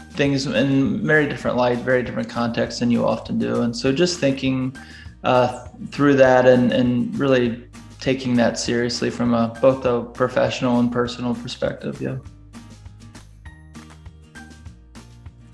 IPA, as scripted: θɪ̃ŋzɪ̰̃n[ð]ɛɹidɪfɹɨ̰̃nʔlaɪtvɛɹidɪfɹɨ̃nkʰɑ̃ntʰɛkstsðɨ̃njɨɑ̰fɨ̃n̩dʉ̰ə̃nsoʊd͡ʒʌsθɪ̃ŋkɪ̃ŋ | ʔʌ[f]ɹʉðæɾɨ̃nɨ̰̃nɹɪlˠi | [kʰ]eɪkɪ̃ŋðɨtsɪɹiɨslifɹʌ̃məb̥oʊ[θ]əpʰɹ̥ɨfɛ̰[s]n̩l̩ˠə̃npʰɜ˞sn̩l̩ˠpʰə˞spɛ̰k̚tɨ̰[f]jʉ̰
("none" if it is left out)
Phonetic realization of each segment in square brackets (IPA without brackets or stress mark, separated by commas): v, θ, tʰ, θ, ʃ, v